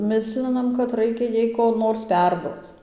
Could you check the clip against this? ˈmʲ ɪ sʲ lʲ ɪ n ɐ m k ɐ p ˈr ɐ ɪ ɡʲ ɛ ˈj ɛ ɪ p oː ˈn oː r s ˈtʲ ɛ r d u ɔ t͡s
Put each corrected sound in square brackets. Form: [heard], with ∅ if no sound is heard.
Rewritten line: ˈmʲ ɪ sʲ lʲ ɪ n ɐ m k ɐ [t] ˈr ɐ ɪ [kʲ] ɛ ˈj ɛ ɪ [k] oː ˈn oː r s [ˈpʲ] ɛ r d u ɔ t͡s